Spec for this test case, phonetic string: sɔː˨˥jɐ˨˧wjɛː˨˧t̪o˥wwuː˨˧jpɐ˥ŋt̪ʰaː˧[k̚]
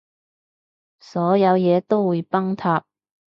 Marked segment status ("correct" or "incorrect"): incorrect